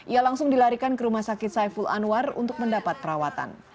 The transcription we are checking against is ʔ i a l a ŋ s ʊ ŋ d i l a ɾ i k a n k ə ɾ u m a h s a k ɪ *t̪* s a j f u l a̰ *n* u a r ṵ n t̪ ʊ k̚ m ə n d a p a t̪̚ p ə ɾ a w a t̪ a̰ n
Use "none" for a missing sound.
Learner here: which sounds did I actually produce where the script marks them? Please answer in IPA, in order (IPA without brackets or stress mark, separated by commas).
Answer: t̪, n